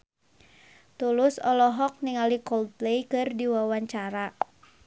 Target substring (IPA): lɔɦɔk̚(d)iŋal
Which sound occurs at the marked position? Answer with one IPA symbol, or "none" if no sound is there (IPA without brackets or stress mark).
n